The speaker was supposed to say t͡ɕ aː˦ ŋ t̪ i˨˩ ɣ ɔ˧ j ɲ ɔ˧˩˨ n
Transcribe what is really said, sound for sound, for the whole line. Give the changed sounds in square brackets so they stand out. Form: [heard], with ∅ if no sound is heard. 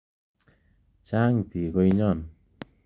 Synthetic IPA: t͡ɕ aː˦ ŋ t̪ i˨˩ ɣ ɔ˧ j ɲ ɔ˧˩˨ n